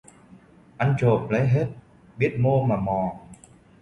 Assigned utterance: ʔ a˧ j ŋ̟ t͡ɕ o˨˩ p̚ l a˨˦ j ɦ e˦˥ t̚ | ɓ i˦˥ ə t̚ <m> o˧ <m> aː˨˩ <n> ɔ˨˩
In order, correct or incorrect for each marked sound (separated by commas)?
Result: correct, correct, incorrect